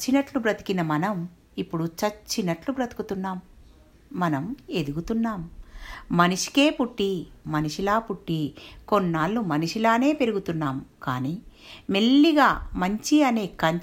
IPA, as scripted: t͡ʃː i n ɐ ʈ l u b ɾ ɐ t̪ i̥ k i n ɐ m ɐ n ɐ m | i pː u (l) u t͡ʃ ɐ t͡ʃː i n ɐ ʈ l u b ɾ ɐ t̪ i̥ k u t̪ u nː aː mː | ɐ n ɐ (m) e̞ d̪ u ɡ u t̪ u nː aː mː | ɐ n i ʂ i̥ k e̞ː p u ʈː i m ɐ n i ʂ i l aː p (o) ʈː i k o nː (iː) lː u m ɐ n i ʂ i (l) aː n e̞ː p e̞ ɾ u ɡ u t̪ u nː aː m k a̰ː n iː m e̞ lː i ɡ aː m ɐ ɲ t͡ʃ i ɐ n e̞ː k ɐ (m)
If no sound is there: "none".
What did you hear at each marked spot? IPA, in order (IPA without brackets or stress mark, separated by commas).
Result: ɽ, m, u, aː, l, ɲ